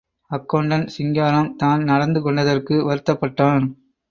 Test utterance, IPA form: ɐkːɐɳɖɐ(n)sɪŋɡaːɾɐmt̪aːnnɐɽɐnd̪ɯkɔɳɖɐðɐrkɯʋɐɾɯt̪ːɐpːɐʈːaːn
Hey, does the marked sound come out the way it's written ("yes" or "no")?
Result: yes